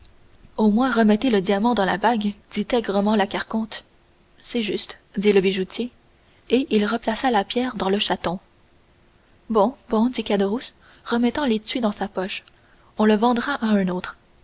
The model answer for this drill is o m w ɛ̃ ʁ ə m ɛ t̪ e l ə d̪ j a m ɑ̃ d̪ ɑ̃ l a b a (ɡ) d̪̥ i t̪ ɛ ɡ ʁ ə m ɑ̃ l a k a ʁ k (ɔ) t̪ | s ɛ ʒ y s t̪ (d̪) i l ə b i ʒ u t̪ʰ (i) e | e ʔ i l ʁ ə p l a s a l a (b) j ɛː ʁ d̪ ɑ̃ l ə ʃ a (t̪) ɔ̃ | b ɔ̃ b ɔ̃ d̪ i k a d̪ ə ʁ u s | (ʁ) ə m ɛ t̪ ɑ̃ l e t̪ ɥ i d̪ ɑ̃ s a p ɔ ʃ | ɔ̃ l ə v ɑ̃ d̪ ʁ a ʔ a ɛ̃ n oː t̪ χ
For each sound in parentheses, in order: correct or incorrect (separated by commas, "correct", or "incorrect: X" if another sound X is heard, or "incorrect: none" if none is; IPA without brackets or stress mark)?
correct, incorrect: ɔ̃, correct, incorrect: j, incorrect: p, correct, correct